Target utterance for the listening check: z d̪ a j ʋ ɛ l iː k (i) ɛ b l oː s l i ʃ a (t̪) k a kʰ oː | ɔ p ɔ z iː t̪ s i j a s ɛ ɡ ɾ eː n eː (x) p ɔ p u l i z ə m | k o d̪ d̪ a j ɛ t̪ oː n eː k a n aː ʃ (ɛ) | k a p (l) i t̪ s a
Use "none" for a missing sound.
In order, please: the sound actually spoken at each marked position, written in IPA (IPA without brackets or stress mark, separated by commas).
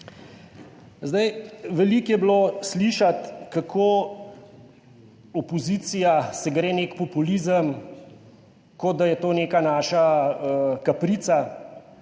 j, t̪, k, a, ɾ